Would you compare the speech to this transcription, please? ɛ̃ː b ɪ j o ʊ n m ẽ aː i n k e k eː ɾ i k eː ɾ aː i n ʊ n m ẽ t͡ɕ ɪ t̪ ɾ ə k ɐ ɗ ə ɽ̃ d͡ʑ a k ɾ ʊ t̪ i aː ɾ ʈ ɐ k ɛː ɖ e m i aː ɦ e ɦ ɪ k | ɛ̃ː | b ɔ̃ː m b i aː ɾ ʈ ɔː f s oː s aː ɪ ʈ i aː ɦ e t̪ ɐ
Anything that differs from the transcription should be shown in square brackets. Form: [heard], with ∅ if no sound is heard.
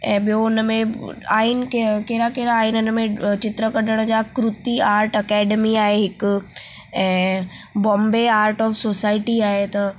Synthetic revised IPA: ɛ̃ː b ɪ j o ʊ n m ẽ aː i n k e k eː ɾ [a] k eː ɾ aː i n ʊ n m ẽ t͡ɕ ɪ t̪ ɾ ə k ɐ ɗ ə ɽ̃ d͡ʑ a k ɾ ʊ t̪ i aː ɾ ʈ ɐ k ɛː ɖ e m i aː ɦ e ɦ ɪ k | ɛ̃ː | b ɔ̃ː m b [e] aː ɾ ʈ ɔː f s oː s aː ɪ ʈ i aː ɦ e t̪ ɐ